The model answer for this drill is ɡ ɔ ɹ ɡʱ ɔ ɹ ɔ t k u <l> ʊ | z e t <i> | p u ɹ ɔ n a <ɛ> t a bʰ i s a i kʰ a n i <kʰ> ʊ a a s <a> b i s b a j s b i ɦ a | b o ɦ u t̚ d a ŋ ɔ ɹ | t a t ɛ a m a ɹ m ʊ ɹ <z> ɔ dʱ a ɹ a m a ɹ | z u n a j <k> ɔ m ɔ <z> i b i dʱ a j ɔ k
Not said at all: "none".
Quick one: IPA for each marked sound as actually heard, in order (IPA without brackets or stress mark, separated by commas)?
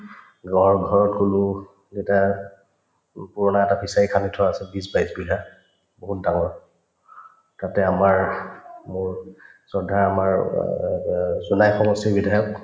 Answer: l, a, ɛ, tʰ, ɛ, s, x, s